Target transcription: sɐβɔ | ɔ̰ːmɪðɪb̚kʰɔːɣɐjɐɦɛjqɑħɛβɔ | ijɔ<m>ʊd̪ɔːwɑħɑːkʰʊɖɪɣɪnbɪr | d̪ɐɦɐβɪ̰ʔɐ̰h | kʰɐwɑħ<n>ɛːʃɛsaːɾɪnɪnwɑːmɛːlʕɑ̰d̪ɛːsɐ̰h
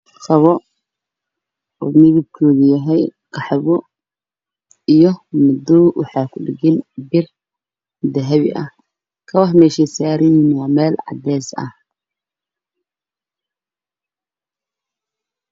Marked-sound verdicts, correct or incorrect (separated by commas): correct, incorrect